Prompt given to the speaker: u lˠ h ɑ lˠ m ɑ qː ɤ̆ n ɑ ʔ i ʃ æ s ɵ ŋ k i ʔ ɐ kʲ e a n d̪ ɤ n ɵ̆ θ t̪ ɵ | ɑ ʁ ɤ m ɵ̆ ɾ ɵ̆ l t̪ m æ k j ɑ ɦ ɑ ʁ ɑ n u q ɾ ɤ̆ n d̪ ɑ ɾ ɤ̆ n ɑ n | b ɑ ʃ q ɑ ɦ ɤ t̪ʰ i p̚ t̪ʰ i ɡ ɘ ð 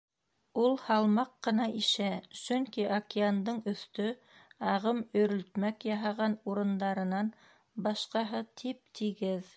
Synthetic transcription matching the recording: u lˠ h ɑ lˠ m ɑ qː ɤ̆ n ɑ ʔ i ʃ æ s ɵ ŋ k i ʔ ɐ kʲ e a n d̪ ɤ ɴ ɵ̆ θ t̪ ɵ | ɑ ʁ ɤ m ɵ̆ ɾ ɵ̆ l t̪ m æ k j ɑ ɦ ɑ ʁ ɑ n u ɾ ɤ̆ n d̪ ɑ ɾ ɤ̆ n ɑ n | b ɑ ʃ q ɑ ɦ ɤ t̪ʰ i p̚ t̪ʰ i ɡ ɘ ð